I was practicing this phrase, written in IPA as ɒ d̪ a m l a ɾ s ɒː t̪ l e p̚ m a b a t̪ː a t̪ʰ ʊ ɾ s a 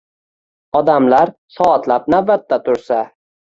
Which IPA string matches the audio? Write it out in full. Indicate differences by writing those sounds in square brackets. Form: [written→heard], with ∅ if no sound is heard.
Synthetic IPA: ɒ d̪ a m l a ɾ s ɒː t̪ l [e→a] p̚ [m→n] a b a t̪ː a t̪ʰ ʊ ɾ s a